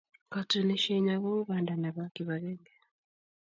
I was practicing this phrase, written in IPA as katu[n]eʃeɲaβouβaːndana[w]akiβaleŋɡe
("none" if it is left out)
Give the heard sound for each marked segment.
n, β

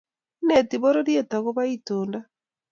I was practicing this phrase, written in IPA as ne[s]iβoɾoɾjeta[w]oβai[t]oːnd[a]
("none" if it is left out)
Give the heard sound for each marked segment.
t, ɣ, t, a

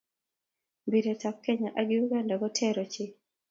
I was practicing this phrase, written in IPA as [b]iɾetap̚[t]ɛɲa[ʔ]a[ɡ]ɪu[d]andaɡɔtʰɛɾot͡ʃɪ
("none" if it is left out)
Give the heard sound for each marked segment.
b, k, ʔ, ɡ, ɡ

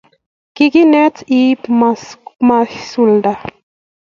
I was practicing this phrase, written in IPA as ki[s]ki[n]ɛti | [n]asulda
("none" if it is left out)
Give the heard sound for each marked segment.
none, n, m

